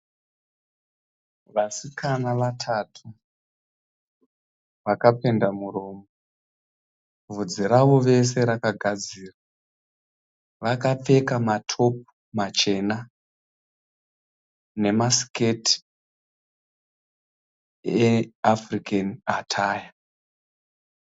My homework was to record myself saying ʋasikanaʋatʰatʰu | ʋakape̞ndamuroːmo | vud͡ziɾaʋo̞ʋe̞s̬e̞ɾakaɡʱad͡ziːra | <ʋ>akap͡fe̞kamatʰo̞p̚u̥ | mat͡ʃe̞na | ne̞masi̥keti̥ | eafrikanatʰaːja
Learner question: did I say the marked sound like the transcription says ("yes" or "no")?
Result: yes